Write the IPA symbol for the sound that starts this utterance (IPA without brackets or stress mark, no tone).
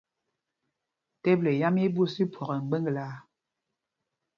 t